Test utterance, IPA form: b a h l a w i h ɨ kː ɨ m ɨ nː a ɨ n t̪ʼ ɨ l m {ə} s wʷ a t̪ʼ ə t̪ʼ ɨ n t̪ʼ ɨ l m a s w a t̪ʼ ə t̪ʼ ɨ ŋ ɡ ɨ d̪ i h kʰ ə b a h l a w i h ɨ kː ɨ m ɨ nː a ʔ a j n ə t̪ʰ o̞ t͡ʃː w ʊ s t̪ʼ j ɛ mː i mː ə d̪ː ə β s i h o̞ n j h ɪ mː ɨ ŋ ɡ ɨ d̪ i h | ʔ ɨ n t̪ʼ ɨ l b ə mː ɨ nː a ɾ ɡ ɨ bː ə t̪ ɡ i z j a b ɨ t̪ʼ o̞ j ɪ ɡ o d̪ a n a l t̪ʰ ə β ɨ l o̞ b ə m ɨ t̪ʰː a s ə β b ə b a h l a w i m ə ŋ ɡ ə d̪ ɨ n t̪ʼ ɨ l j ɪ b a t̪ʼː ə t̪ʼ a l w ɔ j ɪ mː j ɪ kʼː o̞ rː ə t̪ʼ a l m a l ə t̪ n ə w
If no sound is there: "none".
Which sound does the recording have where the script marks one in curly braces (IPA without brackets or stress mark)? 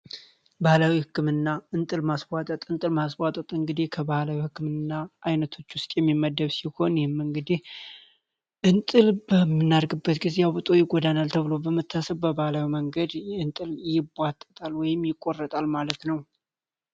a